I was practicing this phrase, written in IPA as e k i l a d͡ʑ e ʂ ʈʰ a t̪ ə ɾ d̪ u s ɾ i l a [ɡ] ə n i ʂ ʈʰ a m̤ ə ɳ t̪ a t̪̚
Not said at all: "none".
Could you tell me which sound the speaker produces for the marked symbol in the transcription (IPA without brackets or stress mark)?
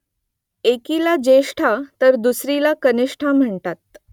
k